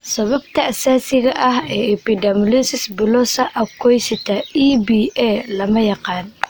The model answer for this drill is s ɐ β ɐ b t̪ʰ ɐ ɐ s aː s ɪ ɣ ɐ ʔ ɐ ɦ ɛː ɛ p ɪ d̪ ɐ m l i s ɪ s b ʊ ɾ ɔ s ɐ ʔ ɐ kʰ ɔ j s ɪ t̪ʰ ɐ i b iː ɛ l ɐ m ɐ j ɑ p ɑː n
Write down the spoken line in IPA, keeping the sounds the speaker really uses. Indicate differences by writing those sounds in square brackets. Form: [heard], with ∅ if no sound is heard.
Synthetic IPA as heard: s ɐ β ɐ b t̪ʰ ɐ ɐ s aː s ɪ ɣ ɐ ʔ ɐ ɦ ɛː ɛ p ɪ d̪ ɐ m l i s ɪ s b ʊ [l] ɔ s ɐ ʔ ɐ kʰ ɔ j s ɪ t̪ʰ ɐ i b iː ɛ l ɐ m ɐ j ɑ [q] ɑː n